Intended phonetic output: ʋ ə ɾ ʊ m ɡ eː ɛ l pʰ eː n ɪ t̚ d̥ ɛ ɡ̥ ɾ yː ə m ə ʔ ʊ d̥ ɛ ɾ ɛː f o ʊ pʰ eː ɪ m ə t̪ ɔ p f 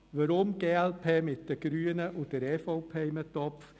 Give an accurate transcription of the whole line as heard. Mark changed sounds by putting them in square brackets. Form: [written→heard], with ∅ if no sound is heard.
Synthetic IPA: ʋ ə ɾ ʊ m ɡ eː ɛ l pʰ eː [n→m] ɪ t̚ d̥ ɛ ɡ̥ ɾ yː ə [m→n] ə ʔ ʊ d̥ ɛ ɾ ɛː f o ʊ pʰ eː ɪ m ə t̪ ɔ p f